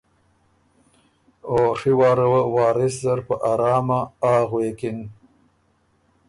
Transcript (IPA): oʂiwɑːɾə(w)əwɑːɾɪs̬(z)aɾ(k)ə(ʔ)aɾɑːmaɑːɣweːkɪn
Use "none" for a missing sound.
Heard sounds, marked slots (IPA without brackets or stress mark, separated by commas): w, z, p, ʔ